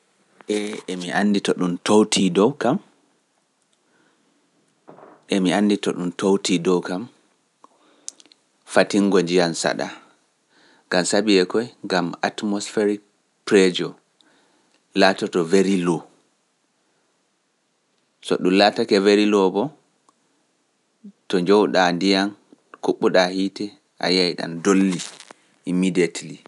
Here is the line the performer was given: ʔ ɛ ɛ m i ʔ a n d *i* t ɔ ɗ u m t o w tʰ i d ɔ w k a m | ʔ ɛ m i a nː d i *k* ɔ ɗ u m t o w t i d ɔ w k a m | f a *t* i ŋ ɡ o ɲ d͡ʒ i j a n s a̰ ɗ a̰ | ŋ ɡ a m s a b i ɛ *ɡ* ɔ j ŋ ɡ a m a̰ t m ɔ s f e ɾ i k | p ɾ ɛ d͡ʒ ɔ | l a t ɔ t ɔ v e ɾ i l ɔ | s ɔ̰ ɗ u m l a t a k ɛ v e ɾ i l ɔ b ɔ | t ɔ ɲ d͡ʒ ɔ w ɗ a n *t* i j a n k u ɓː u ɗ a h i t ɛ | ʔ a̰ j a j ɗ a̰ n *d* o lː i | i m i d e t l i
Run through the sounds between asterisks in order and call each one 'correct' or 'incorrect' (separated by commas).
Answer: correct, incorrect, correct, incorrect, incorrect, correct